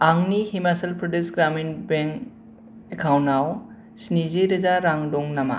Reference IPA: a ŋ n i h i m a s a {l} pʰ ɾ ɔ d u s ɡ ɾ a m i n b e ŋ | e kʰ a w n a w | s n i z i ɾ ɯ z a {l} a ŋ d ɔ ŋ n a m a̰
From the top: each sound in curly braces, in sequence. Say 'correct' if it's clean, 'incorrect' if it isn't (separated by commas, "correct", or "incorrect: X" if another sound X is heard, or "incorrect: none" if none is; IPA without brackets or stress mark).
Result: correct, incorrect: ɾ